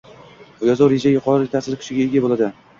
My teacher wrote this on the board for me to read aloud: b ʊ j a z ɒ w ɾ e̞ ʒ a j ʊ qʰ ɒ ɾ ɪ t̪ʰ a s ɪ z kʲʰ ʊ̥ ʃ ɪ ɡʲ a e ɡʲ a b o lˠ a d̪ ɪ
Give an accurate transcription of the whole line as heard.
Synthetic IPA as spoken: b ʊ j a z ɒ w ɾ e̞ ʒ a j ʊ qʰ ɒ ɾ ɪ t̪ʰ a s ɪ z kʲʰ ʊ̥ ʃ ɪ ɡʲ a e ɡʲ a b o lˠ a d̪ ɪ